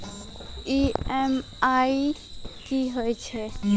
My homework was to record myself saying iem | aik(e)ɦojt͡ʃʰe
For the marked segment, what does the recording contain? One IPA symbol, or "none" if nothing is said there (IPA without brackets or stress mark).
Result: i